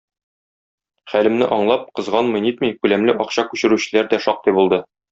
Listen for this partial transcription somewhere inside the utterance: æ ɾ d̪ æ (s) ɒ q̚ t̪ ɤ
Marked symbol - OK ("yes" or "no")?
no